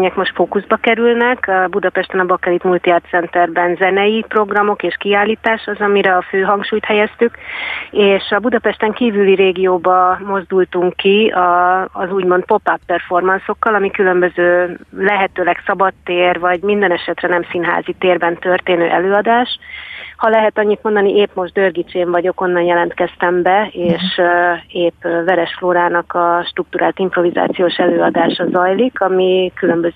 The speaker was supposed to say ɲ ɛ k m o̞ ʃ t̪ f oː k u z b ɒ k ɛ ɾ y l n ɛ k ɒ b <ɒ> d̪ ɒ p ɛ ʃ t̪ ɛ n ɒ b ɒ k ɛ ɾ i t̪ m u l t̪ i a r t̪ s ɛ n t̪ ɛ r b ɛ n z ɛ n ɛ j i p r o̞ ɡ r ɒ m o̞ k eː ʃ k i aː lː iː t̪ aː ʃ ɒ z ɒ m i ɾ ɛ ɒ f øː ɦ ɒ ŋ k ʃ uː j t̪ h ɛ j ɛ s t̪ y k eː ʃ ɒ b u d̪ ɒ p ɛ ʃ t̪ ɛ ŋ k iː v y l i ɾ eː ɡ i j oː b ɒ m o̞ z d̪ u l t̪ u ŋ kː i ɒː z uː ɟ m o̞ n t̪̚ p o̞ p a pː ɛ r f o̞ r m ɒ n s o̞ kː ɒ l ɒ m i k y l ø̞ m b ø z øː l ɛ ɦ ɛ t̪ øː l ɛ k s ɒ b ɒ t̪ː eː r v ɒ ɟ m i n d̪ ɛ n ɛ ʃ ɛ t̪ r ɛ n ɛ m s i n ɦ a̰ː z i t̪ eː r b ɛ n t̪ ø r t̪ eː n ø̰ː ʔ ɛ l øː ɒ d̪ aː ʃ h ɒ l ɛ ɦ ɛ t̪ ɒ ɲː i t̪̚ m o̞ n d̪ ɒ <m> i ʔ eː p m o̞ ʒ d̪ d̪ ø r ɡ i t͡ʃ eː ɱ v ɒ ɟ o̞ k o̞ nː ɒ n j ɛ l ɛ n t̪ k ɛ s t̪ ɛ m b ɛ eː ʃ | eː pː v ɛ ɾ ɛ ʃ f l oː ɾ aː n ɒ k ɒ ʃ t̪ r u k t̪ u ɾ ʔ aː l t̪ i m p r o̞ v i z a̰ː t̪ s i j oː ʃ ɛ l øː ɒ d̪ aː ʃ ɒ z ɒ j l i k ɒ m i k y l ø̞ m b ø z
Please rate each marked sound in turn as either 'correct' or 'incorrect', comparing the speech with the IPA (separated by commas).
incorrect, incorrect